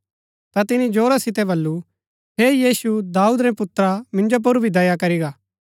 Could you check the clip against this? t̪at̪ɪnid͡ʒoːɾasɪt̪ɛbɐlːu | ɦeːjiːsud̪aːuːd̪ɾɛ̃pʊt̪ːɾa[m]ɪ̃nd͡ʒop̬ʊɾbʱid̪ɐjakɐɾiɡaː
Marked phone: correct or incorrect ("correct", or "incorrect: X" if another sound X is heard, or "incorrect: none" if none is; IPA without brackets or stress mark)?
correct